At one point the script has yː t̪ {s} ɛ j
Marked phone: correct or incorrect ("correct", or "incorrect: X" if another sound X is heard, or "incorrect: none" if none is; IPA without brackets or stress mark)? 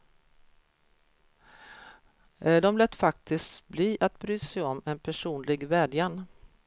correct